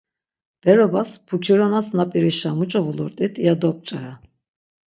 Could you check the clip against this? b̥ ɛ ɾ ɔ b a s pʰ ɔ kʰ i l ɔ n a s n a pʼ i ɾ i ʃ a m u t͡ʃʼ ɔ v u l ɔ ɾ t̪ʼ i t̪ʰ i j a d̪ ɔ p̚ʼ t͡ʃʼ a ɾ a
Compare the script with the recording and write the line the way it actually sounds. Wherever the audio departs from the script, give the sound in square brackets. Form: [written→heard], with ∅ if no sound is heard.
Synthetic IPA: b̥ ɛ ɾ ɔ b a s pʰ [ɔ→u] kʰ i [l→ɾ] ɔ n a s n a pʼ i ɾ i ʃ a m u t͡ʃʼ ɔ v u l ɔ ɾ t̪ʼ i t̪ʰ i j a d̪ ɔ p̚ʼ t͡ʃʼ a ɾ a